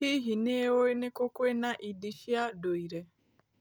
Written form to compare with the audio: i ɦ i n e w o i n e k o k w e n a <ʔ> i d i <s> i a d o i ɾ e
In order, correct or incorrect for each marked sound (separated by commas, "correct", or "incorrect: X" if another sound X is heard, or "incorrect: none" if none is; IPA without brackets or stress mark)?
correct, incorrect: ʃ